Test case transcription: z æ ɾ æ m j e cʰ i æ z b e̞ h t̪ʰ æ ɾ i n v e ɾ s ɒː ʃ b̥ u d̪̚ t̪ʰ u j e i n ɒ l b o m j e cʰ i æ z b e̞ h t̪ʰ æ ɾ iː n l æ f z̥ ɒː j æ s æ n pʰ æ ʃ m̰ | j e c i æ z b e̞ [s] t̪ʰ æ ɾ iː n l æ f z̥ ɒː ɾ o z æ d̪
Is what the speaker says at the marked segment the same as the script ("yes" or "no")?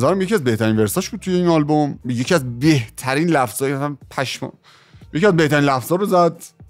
no